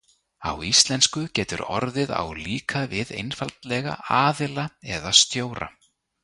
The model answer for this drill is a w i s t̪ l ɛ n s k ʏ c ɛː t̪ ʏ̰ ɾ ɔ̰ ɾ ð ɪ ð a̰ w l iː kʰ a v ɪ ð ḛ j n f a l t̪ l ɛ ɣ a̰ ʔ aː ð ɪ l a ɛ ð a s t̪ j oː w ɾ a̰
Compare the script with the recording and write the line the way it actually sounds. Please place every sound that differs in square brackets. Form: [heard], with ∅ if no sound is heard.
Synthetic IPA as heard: a w i s t̪ l ɛ n s k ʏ c ɛː t̪ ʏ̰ ɾ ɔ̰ ɾ ð ɪ ð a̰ w l iː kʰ a v ɪ ð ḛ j n f a l t̪ l ɛ ɣ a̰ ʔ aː ð ɪ l a ɛ ð a s t̪ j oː w ɾ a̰